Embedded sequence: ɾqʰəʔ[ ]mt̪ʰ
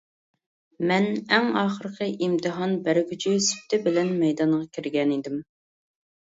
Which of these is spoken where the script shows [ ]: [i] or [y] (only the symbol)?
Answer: i